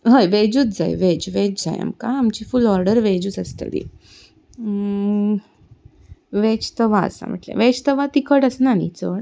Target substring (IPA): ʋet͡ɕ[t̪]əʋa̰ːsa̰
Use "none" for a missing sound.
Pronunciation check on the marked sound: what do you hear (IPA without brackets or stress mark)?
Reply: t̪